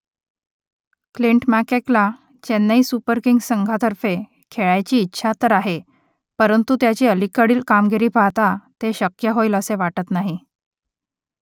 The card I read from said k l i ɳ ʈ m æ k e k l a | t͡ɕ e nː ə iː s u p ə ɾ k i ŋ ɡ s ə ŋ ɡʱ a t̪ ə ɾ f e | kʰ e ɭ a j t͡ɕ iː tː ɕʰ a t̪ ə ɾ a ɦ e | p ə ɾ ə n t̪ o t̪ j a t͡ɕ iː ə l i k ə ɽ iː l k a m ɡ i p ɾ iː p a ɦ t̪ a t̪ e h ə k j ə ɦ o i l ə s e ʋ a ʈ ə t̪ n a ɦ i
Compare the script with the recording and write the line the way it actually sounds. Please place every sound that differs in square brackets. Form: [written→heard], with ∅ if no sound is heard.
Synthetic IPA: k l i ɳ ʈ m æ k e k l a | t͡ɕ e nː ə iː s u p ə ɾ k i ŋ ɡ s ə ŋ ɡʱ a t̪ ə ɾ f e | kʰ e ɭ a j t͡ɕ iː tː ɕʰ a t̪ ə ɾ a ɦ e | p ə ɾ ə n t̪ [o→u] t̪ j a t͡ɕ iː ə l i k ə ɽ iː l k a m ɡ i [p→∅] ɾ iː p a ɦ t̪ a t̪ e [h→ɕ] ə k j ə ɦ o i l ə s e ʋ a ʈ ə t̪ n a ɦ i